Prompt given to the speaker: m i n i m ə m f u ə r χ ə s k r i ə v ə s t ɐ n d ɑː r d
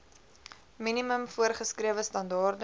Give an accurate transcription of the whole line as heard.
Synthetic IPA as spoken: m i n i m ə m f u ə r χ ə s k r i ə v ə s t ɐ n d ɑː r d